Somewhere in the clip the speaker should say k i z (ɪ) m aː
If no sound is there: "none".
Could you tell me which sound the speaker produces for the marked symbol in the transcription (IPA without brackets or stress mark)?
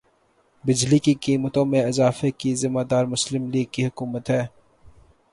ɪ